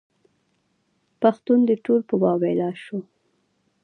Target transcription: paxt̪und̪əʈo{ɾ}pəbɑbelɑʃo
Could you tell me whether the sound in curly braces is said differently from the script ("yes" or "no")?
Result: yes